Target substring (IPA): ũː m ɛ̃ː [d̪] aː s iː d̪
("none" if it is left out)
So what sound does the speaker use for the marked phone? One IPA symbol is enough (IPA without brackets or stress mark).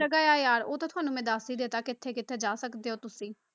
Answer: d̪